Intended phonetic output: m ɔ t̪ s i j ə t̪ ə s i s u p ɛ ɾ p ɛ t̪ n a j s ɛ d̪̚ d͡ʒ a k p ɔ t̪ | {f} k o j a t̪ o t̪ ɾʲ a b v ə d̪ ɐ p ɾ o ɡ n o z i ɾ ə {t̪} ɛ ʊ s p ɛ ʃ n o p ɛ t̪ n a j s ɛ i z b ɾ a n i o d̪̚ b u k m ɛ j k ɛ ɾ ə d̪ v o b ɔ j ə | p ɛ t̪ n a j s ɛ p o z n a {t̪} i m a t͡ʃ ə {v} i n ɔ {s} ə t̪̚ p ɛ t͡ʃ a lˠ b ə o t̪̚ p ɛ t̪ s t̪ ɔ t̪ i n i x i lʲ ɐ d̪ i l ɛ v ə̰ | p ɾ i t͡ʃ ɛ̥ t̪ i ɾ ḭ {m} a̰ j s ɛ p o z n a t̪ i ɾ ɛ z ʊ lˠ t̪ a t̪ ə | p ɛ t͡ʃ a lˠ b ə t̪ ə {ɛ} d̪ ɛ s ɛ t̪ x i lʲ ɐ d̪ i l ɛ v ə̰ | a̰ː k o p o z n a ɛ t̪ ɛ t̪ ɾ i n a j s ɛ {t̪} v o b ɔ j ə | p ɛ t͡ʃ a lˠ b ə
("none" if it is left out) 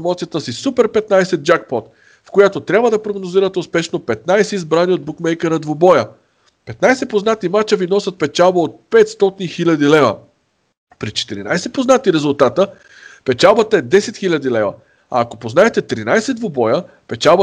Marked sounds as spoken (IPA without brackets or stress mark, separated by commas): f, t̪, t̪, v, s, n, ɛ, d̪